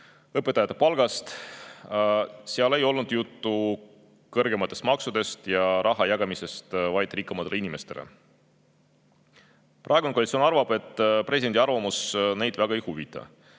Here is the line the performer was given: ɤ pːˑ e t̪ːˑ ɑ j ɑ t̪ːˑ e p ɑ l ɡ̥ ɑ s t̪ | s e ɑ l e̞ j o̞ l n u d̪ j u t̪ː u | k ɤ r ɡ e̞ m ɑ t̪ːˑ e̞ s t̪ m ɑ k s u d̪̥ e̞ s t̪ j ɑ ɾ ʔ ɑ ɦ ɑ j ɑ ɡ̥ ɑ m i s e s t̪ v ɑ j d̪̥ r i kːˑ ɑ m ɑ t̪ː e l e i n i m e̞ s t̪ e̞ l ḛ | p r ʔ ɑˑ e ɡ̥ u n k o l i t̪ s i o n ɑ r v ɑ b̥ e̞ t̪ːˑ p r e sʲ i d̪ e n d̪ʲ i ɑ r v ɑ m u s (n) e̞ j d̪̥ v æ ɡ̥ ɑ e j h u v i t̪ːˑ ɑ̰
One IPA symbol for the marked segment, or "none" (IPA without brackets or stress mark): n